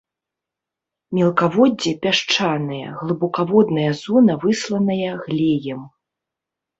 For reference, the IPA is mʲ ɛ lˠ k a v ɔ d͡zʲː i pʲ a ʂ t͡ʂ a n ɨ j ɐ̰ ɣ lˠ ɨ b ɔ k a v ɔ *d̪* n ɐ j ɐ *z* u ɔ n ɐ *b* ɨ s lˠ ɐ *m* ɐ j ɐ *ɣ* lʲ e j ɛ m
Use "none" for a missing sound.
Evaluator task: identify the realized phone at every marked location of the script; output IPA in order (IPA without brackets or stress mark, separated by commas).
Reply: d̪, z, v, n, ɣ